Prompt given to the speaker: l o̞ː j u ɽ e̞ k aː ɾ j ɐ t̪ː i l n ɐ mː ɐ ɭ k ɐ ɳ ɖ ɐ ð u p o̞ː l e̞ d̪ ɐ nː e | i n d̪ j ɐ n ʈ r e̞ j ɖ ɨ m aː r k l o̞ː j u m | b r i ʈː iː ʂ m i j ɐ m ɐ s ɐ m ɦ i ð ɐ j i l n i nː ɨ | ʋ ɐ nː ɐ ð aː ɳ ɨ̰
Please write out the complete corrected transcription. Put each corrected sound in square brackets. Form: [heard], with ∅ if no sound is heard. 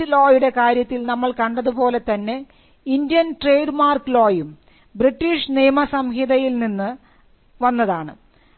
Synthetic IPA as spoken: l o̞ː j u ɽ e̞ k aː ɾ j ɐ t̪ː i l n ɐ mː ɐ ɭ k ɐ ɳ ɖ ɐ ð u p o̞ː l e̞ [t̪] ɐ nː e | i n d̪ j ɐ n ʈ r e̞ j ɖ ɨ m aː r k l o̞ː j u m | b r i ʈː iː ʂ [n] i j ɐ m ɐ s ɐ m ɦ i ð ɐ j i l n i nː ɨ | ʋ ɐ nː ɐ ð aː ɳ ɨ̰